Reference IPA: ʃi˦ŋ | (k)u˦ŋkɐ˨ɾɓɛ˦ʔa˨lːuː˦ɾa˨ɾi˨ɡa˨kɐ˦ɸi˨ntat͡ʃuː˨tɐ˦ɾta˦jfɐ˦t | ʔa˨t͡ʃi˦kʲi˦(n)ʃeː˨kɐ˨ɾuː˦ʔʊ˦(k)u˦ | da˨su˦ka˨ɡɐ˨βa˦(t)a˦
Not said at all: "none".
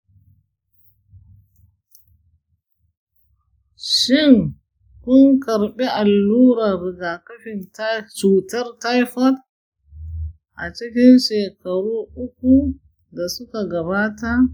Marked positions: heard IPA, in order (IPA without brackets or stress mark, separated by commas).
k, n, k, t